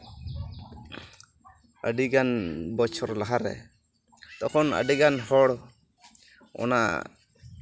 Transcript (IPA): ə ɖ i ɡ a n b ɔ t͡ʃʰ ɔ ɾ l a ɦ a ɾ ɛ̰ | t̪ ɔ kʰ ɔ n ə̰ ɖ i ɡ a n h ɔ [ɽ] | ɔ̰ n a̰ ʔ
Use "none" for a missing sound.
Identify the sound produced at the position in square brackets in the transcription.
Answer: ɽ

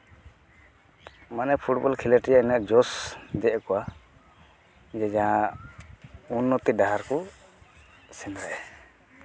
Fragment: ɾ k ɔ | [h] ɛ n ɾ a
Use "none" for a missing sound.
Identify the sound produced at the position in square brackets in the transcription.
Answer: s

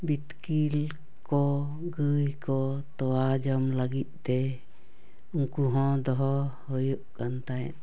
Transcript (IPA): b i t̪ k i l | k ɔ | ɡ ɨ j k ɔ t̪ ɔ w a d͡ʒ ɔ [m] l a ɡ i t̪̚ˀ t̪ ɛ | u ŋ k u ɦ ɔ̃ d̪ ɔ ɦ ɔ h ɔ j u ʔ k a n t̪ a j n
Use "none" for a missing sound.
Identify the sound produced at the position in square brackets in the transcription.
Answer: m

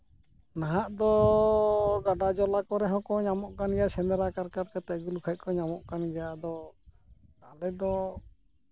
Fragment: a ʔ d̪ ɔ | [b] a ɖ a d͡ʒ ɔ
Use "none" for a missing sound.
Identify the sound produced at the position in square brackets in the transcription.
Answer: ɡ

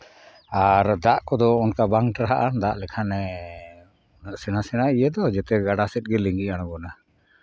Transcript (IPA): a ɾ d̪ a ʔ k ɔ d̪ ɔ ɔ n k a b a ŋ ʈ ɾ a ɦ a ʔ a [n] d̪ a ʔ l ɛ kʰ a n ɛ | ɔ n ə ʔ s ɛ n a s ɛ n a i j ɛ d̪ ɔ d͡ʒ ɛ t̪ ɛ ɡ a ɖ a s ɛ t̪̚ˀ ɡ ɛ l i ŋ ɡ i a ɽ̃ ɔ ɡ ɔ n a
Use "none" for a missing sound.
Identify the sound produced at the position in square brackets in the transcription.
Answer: n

